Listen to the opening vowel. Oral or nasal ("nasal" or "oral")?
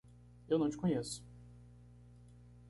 oral